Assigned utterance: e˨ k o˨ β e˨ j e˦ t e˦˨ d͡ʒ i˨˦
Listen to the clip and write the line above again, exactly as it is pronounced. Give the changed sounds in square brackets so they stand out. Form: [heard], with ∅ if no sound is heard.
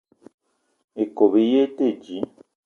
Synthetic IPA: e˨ k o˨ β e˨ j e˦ t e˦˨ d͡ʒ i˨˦